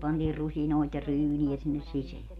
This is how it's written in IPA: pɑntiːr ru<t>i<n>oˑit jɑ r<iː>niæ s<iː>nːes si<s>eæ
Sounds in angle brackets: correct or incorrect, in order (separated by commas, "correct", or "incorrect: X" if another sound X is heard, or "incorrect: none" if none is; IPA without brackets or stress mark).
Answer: incorrect: s, correct, incorrect: yː, incorrect: i, correct